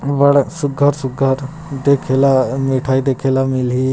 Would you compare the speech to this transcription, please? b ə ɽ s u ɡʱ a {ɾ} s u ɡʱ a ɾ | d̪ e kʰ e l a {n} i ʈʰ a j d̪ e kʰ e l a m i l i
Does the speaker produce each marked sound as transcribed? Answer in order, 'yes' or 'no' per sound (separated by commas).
yes, no